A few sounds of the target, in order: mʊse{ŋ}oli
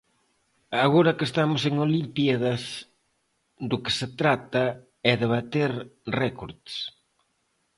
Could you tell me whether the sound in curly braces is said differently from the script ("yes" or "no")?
no